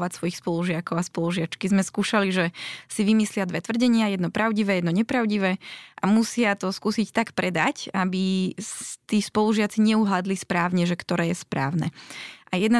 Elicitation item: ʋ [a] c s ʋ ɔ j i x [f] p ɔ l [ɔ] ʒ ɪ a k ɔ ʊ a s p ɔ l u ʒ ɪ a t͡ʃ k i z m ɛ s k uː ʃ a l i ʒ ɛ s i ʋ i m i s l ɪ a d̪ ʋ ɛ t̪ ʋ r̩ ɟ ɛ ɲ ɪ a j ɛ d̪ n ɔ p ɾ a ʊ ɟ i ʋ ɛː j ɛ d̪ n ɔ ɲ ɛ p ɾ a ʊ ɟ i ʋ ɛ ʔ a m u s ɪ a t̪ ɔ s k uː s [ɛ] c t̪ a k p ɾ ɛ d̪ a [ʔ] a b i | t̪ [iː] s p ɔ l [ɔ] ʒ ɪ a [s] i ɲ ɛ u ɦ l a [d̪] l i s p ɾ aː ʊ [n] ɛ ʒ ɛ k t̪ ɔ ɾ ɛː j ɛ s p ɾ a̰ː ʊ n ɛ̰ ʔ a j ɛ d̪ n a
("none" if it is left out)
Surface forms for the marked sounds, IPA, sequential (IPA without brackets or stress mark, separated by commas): a, s, u, i, c, iː, u, t͡s, d̪, ɲ